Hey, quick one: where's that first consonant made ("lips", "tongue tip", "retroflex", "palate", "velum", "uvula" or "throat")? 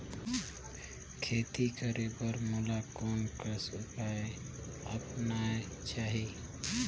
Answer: velum